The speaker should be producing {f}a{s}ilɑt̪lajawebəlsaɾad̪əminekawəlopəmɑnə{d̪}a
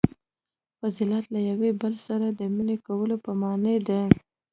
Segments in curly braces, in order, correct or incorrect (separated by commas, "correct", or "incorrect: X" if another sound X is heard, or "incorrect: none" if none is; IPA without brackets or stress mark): correct, incorrect: z, correct